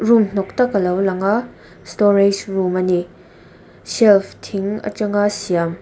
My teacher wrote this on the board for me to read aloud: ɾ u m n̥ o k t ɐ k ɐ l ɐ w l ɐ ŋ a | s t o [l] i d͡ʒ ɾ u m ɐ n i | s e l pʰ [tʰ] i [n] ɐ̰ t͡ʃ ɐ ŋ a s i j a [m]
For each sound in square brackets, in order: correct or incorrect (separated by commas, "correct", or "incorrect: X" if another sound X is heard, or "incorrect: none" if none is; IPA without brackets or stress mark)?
incorrect: ɾ, correct, incorrect: ŋ, correct